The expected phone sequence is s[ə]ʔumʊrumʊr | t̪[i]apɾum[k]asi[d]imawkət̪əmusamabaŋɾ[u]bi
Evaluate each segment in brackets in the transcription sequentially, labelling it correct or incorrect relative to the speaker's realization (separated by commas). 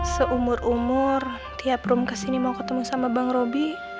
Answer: correct, correct, correct, incorrect, incorrect